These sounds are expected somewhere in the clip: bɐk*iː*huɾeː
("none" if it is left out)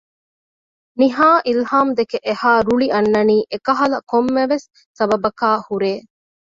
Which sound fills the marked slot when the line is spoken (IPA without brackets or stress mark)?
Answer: aː